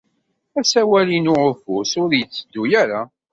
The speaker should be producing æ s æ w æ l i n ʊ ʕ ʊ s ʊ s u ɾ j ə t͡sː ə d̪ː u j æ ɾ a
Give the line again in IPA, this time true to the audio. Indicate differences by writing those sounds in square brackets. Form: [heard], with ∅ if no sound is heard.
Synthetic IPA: æ s æ w æ l i n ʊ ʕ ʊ [f] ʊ s [ʊ] ɾ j ə t͡sː ə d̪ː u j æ ɾ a